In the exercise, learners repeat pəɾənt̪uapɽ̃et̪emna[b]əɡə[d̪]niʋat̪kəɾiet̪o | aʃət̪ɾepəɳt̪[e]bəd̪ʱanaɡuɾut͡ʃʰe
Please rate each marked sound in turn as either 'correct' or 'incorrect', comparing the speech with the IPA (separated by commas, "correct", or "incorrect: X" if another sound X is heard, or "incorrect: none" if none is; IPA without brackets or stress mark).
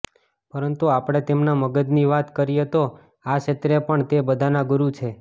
incorrect: m, correct, correct